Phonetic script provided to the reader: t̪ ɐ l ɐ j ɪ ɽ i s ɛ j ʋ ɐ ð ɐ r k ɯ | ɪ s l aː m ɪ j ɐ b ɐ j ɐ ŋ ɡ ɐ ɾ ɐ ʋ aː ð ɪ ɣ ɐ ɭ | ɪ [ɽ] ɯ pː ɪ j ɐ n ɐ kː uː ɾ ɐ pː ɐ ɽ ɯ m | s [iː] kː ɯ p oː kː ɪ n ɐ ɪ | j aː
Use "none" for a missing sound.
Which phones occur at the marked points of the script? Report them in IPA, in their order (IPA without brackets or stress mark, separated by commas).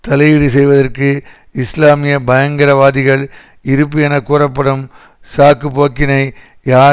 ɾ, aː